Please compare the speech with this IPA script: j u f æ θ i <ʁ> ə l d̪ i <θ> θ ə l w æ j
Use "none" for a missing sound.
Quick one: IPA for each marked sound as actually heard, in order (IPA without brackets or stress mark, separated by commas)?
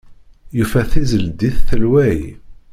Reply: z, θ